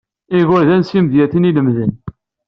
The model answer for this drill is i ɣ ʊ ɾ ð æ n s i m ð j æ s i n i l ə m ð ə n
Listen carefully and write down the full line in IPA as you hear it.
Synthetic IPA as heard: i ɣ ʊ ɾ ð æ n s i m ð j æ θ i n i l ə m ð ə n